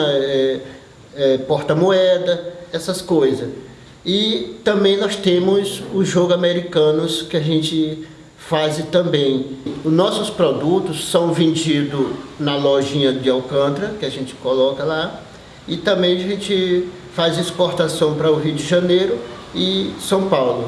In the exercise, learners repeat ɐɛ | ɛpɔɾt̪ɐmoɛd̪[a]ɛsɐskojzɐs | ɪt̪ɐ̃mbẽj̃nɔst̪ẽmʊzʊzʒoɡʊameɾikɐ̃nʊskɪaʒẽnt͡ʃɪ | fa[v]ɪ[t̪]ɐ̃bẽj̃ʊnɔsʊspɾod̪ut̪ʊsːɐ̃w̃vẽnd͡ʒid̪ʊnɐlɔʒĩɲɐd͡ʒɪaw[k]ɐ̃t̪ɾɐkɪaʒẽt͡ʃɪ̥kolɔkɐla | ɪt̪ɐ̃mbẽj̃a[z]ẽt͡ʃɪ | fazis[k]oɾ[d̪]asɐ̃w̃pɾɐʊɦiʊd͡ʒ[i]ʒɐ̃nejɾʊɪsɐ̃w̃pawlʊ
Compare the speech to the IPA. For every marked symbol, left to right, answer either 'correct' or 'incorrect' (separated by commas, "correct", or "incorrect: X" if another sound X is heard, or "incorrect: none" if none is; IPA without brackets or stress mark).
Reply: incorrect: ɐ, incorrect: z, correct, correct, incorrect: ʒ, incorrect: p, incorrect: t̪, incorrect: ɪ